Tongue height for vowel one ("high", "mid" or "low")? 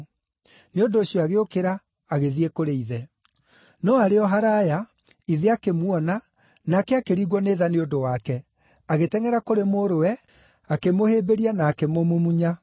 mid